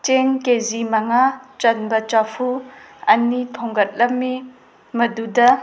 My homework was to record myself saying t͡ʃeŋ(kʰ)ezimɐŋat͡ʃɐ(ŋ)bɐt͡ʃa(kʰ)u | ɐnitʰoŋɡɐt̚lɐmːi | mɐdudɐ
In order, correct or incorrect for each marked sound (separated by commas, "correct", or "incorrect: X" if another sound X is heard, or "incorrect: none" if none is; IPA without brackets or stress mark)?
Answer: incorrect: k, incorrect: n, incorrect: pʰ